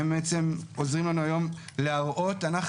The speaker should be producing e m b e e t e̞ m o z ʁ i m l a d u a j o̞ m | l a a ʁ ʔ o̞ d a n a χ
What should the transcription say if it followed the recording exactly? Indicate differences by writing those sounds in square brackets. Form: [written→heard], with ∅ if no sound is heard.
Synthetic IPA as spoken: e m b e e [t→t͡s] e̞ m o z ʁ i m l a [d→n] u a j o̞ m | l [a→e] a ʁ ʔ o̞ [d→t] a n a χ

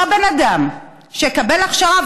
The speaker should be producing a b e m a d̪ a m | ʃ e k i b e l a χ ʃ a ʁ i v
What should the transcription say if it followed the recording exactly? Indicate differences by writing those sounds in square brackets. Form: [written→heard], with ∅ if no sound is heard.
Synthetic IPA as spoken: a b e [m→n] a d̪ a m | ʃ e k [i→a] b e l a χ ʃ a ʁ [i→a] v

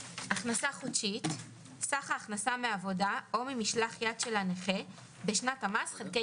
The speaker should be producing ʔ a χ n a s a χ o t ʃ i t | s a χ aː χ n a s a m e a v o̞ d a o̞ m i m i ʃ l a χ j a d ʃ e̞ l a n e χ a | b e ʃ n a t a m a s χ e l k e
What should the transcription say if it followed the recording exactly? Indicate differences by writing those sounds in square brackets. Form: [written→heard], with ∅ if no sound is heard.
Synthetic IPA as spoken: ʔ a χ n a s a χ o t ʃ i t | s a χ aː χ n a s a m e a v o̞ d a o̞ m i m i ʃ l a χ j a d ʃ e̞ l a n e χ [a→e] | b e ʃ n a t a m a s χ e l k e

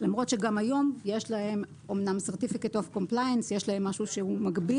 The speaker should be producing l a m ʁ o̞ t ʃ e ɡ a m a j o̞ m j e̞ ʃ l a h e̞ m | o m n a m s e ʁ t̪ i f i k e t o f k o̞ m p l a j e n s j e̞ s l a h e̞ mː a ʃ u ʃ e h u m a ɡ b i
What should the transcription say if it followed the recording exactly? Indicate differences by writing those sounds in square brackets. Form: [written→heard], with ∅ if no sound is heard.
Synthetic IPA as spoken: l a m ʁ o̞ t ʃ e ɡ a m a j o̞ m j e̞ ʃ l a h e̞ m | o m n a m s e ʁ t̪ i f i k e t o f k o̞ m p l a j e n s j e̞ [s→ʃ] l a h e̞ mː a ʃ u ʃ e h u m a ɡ b i

